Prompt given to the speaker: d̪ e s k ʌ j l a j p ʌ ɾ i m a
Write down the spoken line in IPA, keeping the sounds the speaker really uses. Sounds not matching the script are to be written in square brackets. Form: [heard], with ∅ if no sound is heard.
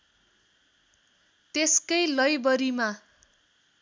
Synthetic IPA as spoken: [t̪] e s k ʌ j l [ʌ] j [b] ʌ ɾ i m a